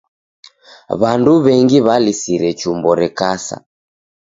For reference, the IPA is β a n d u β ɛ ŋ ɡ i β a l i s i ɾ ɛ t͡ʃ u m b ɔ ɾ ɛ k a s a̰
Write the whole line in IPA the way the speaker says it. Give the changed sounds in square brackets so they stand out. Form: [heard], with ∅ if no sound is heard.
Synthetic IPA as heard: β a n d u β ɛ ŋ ɡ i β a l i s i ɾ ɛ t͡ʃ u m b ɔ ɾ ɛ k a s a̰